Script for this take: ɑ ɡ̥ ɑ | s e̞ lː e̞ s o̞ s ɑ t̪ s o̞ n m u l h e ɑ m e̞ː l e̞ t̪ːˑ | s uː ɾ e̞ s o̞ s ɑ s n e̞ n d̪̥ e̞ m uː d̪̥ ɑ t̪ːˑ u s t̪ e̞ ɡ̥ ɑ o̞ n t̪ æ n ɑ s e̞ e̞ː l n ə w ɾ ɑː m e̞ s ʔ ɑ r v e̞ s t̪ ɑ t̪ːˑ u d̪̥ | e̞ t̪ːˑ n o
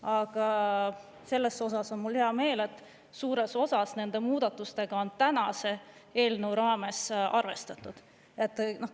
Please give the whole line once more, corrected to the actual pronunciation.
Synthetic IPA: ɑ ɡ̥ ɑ | s e̞ lː e̞ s o̞ s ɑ s o̞ n m u l h e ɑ m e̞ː l e̞ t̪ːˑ | s uː ɾ e̞ s o̞ s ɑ s n e̞ n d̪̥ e̞ m uː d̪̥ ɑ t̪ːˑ u s t̪ e̞ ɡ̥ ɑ o̞ n t̪ æ n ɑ s e̞ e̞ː l n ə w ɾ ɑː m e̞ s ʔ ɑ r v e̞ s t̪ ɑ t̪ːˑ u d̪̥ | e̞ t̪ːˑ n o